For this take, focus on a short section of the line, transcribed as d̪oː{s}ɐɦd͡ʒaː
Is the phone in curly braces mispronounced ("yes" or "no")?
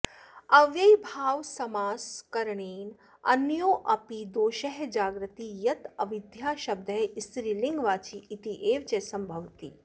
yes